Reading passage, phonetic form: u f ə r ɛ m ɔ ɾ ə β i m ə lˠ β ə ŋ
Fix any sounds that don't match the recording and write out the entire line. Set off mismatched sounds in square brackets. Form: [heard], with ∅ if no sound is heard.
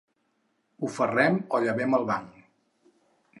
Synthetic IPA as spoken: u f ə r ɛ m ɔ [ʎ] ə β [ɛ] m ə lˠ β [a] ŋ